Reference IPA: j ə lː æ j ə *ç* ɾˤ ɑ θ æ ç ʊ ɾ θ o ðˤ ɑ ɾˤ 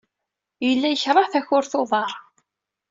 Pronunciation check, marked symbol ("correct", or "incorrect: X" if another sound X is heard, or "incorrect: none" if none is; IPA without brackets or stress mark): correct